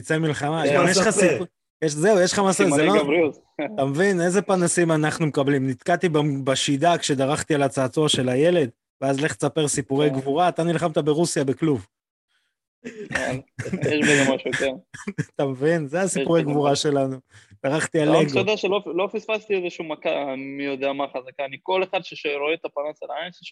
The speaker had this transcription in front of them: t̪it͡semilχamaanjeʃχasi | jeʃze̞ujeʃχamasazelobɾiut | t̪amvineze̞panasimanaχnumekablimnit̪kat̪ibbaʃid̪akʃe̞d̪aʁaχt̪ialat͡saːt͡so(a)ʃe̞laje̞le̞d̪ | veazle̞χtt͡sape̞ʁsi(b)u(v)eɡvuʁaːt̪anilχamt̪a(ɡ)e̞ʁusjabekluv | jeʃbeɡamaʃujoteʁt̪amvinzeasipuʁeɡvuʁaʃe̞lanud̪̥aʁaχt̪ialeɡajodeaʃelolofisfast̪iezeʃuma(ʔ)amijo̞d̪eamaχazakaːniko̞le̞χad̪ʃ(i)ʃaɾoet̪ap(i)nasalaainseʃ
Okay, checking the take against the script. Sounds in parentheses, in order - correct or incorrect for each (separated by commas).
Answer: correct, incorrect, incorrect, incorrect, incorrect, incorrect, incorrect